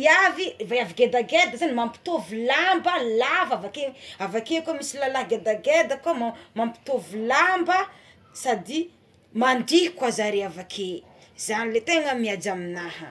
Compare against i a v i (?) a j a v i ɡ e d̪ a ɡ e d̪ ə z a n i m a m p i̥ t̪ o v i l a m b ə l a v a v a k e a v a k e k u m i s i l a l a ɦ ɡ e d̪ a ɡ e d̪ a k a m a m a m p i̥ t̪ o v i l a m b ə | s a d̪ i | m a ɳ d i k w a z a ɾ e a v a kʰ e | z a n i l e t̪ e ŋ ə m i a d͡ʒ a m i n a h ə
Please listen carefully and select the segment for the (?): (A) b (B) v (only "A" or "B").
B